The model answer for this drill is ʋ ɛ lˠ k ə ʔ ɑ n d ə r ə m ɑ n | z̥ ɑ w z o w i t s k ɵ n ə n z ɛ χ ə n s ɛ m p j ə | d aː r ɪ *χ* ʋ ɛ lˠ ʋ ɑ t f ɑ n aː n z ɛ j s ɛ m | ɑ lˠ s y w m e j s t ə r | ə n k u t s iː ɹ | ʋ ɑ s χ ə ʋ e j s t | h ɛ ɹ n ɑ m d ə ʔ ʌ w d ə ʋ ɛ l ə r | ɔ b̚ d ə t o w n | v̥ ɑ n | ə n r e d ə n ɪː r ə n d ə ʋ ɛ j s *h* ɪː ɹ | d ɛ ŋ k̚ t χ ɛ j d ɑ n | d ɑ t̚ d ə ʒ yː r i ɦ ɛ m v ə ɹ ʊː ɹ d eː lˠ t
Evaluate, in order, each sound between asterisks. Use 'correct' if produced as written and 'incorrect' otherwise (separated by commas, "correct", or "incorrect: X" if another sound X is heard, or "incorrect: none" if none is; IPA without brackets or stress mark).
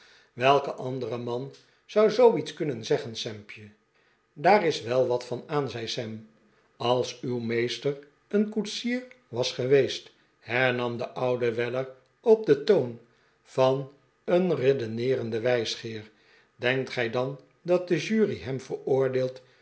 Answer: incorrect: s, incorrect: χ